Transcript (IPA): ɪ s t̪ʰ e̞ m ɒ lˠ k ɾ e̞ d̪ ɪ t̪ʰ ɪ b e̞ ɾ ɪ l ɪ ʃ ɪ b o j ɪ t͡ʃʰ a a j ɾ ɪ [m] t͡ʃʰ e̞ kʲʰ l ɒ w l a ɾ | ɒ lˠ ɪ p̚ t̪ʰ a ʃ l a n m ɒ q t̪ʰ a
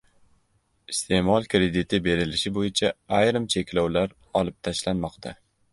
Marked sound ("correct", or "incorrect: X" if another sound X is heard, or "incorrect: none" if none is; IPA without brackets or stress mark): correct